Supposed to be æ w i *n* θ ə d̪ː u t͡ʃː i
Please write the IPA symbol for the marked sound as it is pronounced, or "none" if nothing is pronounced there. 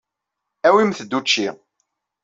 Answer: m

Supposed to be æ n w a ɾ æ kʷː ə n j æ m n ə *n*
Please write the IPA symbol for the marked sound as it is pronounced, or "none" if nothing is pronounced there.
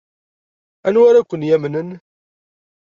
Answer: n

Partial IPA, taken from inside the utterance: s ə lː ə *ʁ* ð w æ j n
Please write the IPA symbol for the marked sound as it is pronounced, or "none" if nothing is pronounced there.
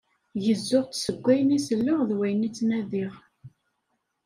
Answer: ʁ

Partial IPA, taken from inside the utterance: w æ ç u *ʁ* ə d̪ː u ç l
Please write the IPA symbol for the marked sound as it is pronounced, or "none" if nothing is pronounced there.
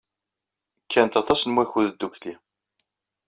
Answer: ð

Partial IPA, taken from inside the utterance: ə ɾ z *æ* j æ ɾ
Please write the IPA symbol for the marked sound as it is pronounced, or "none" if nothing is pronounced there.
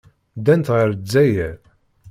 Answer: æ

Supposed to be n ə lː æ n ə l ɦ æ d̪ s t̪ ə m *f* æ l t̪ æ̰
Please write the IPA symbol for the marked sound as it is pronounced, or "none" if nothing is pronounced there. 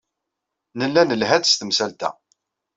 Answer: s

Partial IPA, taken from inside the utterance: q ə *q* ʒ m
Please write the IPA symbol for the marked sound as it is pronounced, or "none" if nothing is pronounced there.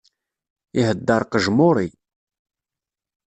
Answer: none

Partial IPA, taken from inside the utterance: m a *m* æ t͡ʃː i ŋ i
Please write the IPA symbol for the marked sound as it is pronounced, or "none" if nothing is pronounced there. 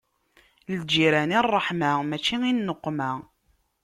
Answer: m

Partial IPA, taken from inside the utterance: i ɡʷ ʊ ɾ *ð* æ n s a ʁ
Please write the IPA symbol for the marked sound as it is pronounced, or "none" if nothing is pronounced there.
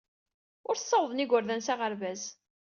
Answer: ð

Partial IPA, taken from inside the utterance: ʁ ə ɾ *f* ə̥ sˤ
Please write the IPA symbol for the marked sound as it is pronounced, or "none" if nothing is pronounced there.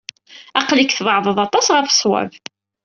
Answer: f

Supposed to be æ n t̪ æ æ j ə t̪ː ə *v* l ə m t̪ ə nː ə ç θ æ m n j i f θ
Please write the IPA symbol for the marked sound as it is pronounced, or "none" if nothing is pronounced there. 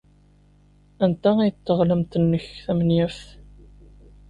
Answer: ʁ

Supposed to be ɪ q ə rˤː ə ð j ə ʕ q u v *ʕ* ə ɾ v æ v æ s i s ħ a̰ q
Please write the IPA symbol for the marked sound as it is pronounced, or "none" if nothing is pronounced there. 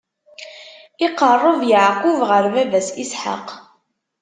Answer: ʁ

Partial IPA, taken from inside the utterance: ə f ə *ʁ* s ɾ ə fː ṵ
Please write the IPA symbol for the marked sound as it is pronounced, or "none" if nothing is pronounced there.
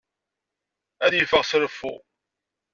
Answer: ʁ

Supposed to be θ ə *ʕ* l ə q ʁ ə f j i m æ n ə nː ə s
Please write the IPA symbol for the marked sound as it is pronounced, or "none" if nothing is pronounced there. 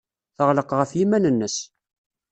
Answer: ʁ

